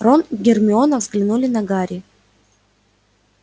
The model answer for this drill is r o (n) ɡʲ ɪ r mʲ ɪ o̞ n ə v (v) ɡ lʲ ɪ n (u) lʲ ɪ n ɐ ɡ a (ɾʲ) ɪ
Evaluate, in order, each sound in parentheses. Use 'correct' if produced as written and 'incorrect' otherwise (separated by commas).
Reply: correct, incorrect, correct, correct